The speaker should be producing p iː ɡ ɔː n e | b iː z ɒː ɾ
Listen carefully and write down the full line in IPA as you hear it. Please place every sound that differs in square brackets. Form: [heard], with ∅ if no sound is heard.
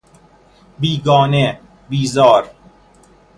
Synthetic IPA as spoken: [b] iː ɡ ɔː n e | b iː z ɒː ɾ